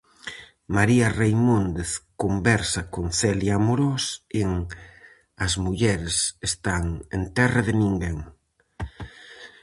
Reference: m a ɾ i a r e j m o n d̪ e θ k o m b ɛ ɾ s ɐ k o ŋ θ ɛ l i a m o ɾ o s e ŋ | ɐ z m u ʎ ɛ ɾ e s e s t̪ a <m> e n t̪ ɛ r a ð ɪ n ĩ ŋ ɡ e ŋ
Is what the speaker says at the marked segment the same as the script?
no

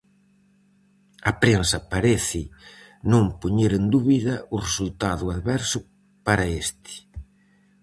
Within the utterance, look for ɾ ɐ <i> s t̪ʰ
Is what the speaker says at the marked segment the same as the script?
no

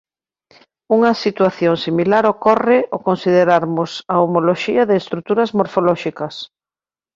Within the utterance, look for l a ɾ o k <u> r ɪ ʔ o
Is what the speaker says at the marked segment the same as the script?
no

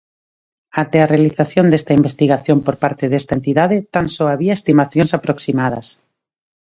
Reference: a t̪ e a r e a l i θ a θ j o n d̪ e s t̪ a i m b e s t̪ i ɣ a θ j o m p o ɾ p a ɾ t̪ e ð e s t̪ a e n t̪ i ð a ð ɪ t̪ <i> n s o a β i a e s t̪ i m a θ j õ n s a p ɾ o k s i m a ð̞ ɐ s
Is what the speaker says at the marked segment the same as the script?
no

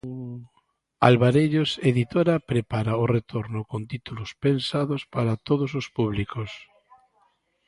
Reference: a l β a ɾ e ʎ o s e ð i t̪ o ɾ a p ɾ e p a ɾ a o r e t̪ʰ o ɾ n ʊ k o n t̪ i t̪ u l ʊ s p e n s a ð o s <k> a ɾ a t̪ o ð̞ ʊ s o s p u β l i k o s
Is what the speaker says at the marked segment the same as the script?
no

